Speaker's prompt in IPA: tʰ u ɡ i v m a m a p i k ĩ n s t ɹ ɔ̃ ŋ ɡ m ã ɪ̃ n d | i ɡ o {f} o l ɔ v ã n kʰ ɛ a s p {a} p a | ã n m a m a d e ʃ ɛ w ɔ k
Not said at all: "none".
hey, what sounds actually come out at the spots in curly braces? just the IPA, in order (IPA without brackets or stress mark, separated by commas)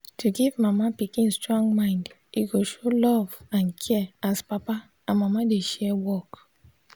ʃ, a